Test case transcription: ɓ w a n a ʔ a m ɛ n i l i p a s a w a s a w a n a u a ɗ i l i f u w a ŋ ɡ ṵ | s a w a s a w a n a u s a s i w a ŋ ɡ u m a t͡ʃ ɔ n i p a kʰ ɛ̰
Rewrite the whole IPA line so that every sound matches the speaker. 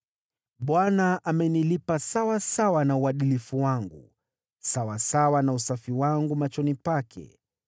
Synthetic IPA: ɓ w a n a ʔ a m ɛ n i l i p a s a w a s a w a n a u a ɗ i l i f u w a ŋ ɡ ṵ | s a w a s a w a n a u s a f i w a ŋ ɡ u m a t͡ʃ ɔ n i p a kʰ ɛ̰